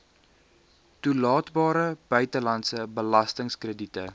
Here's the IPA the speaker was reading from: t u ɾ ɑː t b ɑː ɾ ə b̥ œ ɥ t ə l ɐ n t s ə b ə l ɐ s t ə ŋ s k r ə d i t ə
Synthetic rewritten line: t u l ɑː t b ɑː ɾ ə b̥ œ ɥ t ə l ɐ n t s ə b ə l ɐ s t ə ŋ s k r ə d i t ə